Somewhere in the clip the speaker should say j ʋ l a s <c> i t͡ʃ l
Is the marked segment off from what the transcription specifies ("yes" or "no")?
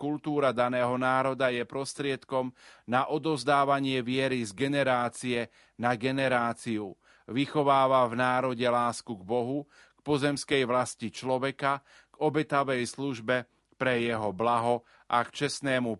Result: no